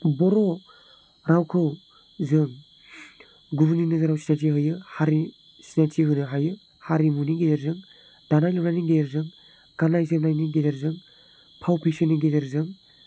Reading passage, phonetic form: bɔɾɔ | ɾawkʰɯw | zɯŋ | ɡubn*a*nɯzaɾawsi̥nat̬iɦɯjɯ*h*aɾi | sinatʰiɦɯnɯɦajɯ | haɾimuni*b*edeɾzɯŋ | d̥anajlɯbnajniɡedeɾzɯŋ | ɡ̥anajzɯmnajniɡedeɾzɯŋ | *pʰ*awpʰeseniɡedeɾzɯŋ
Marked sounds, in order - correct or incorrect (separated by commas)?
incorrect, correct, incorrect, correct